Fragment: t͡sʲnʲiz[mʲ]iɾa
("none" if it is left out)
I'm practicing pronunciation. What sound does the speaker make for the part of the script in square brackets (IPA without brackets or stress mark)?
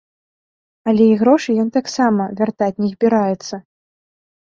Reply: bʲ